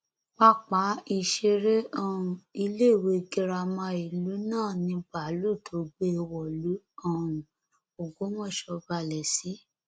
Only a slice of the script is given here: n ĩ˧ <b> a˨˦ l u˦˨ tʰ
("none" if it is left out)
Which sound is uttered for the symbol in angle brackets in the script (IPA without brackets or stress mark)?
b